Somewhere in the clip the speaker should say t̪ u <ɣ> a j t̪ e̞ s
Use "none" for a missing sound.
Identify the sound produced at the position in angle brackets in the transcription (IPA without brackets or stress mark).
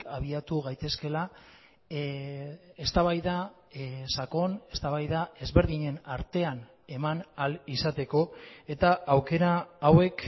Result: ɣ